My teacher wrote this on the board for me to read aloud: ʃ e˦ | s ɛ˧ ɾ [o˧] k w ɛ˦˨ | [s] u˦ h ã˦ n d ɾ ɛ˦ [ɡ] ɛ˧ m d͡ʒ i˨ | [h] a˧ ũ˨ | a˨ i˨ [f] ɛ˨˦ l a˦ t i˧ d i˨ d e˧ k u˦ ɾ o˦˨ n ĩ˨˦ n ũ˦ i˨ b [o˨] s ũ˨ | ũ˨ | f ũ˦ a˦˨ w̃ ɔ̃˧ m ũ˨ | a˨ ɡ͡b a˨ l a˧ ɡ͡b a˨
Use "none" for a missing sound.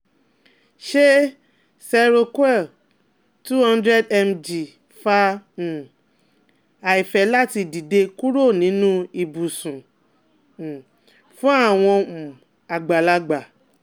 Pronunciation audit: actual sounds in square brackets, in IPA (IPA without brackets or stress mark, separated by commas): o˧, t, d, f, f, u˨